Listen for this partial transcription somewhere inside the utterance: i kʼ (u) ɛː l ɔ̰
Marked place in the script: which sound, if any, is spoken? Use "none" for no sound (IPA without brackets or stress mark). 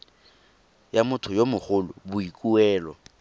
u